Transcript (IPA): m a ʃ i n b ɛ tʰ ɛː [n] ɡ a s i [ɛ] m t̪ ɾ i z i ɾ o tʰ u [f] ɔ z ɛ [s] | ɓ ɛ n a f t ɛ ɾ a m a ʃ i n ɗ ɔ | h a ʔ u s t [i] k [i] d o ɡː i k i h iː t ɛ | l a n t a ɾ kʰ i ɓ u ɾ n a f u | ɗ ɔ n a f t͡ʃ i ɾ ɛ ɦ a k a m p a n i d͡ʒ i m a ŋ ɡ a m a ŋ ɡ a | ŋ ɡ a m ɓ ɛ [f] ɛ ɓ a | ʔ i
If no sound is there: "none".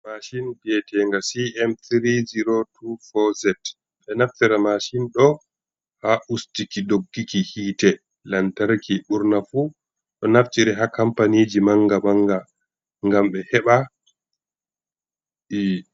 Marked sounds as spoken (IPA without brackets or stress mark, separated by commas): ŋ, ɛ, f, t, i, i, h